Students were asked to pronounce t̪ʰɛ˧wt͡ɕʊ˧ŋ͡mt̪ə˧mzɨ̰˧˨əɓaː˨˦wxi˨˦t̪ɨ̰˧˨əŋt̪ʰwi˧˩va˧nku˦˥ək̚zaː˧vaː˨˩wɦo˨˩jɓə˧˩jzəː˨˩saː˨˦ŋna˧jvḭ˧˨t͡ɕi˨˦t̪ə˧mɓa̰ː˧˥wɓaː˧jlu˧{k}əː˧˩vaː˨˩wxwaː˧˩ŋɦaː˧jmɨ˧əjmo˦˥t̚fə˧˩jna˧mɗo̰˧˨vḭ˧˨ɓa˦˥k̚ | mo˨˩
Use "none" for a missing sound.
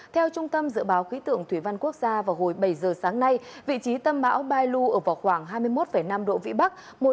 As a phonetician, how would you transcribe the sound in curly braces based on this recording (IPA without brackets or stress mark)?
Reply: ʔ